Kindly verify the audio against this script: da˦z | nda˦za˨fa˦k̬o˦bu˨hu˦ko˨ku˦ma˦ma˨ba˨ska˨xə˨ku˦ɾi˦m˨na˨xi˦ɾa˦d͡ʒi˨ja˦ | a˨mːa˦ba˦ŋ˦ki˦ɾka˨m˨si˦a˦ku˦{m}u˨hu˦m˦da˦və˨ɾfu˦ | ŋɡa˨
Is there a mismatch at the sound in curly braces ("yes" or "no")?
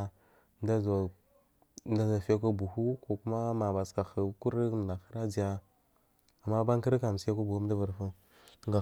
yes